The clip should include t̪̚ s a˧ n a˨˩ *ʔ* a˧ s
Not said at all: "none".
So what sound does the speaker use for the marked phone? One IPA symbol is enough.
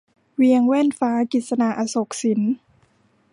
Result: ʔ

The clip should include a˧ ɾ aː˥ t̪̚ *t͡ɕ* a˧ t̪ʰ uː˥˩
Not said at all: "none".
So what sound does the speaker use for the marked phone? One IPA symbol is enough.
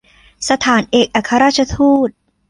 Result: t͡ɕʰ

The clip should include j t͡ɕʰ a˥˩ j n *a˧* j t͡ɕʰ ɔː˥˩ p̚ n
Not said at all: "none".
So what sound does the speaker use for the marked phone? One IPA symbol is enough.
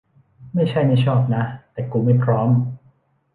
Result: a˥˩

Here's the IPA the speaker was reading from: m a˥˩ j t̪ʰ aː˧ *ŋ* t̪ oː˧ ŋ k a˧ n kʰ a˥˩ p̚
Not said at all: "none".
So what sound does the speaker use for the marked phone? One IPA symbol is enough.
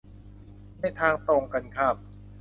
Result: ŋ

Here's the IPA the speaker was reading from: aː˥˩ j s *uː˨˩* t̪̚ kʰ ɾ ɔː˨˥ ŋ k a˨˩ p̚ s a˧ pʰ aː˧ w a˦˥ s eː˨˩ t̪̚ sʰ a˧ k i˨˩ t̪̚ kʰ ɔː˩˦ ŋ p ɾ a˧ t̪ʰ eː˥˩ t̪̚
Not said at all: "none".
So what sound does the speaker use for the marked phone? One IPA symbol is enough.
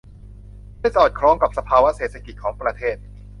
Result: ɔː˨˩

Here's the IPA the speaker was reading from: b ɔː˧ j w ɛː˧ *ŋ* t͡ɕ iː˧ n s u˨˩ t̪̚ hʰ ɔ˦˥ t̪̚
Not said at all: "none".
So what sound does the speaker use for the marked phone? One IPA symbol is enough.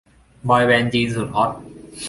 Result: n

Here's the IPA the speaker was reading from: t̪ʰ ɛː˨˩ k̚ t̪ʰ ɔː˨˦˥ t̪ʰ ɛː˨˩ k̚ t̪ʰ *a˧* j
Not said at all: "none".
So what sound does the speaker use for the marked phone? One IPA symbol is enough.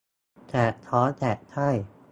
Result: a˥˩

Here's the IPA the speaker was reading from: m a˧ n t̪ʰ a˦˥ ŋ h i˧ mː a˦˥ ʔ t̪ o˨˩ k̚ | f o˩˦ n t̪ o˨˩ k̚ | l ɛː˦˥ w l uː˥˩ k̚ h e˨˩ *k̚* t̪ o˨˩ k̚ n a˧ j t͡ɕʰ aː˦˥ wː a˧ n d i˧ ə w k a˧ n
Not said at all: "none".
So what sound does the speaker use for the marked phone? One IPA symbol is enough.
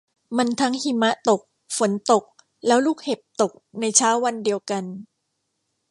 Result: p̚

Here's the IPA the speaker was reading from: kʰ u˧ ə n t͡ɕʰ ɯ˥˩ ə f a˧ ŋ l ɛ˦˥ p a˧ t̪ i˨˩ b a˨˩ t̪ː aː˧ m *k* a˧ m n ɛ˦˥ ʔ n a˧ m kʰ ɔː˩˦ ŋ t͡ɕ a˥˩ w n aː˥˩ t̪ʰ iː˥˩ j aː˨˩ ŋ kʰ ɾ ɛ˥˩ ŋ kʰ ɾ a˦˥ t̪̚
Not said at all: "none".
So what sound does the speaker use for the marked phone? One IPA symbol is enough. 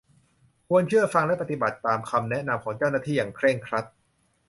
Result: kʰ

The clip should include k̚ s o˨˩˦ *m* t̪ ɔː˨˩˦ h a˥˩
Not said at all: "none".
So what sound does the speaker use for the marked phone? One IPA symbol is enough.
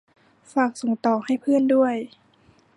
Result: ŋ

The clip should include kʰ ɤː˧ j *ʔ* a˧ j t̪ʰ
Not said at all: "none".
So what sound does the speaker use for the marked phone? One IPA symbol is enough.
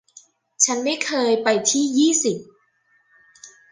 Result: p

